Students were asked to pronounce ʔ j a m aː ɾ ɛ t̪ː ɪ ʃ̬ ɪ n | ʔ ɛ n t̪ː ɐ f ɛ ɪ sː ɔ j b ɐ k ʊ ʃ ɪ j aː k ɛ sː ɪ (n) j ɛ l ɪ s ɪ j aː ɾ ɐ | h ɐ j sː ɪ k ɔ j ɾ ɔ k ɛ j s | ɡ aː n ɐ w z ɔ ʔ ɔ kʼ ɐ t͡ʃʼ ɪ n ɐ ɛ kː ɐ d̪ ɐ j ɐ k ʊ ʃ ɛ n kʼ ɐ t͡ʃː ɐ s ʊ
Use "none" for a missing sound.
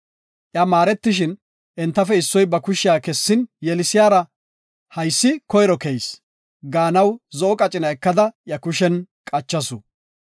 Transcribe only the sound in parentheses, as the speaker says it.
n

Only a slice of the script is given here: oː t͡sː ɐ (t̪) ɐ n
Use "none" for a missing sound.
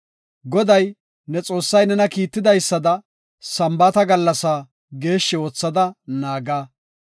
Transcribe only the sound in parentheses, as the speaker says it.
d̪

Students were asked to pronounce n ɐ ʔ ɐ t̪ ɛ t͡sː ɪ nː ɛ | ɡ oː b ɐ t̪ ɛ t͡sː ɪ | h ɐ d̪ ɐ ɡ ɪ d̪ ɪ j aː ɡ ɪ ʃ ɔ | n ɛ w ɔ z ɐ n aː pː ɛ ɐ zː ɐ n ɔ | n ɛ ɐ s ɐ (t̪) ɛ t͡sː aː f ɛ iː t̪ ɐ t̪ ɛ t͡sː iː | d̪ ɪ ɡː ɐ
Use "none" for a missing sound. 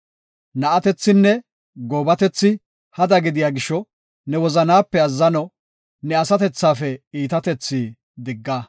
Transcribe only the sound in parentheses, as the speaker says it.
t̪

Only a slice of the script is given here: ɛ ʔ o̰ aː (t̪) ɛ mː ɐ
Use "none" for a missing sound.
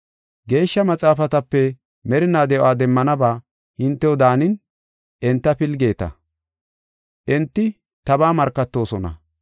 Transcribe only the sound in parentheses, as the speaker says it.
d̪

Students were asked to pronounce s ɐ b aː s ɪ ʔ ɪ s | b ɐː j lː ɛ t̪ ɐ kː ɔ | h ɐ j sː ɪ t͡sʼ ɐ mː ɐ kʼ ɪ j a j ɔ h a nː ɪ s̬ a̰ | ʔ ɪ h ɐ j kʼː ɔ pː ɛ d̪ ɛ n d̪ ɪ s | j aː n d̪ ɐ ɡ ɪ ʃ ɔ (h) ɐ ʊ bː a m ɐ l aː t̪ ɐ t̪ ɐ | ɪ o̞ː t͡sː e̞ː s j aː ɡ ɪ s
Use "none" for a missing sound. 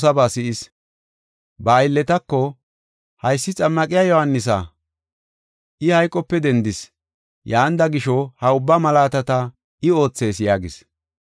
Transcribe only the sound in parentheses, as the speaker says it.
h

